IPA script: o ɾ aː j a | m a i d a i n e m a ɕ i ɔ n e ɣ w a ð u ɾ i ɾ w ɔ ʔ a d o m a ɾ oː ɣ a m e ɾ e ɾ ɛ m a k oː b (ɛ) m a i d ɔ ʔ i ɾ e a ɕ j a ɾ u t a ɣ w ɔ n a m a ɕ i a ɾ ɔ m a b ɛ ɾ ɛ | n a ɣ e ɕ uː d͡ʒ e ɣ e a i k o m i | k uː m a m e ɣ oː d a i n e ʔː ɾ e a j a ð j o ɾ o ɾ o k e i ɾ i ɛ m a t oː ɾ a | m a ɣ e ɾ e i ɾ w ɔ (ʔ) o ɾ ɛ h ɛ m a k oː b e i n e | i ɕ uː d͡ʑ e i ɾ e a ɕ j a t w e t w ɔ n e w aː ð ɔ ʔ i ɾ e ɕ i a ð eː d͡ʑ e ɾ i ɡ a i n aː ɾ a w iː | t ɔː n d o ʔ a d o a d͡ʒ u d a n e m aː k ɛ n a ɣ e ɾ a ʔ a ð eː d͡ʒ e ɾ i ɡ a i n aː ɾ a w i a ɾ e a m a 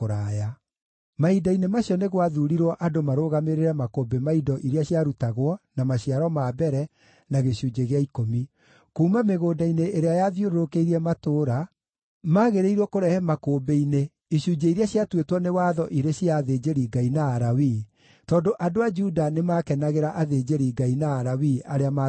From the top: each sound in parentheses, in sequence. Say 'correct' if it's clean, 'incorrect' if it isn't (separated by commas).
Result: incorrect, incorrect